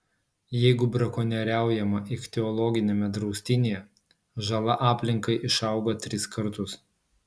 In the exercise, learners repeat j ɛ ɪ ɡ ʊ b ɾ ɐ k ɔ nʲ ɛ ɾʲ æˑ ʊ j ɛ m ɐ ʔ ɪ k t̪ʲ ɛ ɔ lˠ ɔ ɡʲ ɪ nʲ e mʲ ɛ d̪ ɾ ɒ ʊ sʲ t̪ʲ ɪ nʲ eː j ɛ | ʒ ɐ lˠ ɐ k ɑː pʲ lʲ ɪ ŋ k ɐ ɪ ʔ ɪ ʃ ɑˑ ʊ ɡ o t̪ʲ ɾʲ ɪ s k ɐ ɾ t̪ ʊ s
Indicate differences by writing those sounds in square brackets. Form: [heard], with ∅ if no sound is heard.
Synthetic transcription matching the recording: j ɛ ɪ ɡ ʊ b ɾ ɐ k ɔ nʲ ɛ ɾʲ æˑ ʊ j ɛ m ɐ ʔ ɪ k t̪ʲ ɛ ɔ lˠ ɔ ɡʲ ɪ nʲ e mʲ ɛ d̪ ɾ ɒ ʊ sʲ t̪ʲ ɪ nʲ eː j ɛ | ʒ ɐ lˠ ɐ [ʔ] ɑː pʲ lʲ ɪ ŋ k ɐ ɪ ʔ ɪ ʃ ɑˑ ʊ ɡ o t̪ʲ ɾʲ ɪ s k ɐ ɾ t̪ ʊ s